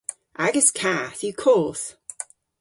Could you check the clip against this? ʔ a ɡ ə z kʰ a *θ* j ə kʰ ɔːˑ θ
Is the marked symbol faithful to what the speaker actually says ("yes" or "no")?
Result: yes